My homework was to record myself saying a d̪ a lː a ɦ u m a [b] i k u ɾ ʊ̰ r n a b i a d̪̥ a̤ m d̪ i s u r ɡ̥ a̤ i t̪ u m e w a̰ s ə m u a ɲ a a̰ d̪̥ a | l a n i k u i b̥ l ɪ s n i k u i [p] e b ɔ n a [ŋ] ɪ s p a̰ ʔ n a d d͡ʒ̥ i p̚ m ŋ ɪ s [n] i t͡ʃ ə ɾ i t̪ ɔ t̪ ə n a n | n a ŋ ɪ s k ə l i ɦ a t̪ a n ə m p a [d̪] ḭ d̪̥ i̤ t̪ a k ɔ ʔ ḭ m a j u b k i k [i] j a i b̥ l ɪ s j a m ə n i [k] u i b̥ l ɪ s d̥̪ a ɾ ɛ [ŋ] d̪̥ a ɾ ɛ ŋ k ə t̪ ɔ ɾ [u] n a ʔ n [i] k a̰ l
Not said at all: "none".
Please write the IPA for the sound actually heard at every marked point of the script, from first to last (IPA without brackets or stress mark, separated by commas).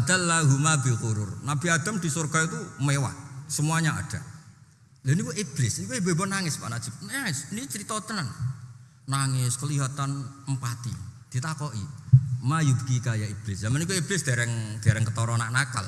b, b, ŋ, n, t̪, a, k, ŋ, ɔ, a